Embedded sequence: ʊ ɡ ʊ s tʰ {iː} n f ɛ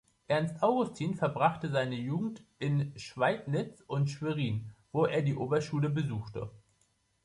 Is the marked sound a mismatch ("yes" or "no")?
no